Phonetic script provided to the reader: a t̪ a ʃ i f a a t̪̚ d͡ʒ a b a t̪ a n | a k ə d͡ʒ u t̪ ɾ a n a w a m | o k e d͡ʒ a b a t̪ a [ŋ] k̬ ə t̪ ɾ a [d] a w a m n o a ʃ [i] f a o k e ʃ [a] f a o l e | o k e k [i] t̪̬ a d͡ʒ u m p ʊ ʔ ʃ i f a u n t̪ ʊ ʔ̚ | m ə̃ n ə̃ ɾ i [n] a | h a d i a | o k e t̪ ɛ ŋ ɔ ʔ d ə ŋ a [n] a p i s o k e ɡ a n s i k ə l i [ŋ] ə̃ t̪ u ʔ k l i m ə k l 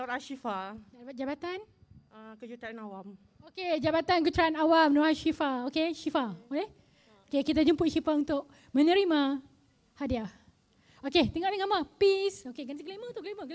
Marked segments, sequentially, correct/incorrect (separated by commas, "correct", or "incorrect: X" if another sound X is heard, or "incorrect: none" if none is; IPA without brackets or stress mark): incorrect: n, incorrect: n, correct, incorrect: i, correct, incorrect: m, incorrect: m, incorrect: m